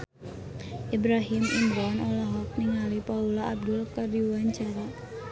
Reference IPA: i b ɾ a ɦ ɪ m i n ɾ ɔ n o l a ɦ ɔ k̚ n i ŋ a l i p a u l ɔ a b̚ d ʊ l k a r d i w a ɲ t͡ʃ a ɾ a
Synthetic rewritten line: i b ɾ a ɦ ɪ m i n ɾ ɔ n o l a ɦ ɔ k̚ n i ŋ a l i p a u l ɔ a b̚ d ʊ l k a r d i w a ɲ t͡ʃ a ɾ a